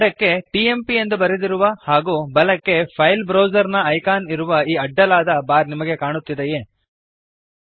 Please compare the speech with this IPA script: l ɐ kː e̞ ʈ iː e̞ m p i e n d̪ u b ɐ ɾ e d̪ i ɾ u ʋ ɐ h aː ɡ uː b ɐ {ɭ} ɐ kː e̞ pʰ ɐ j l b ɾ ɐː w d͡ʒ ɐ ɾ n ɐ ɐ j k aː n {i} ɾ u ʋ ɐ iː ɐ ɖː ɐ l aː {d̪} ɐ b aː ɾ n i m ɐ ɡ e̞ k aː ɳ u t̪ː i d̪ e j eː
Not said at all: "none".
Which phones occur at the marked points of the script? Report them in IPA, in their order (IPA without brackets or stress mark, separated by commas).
l, i, d̪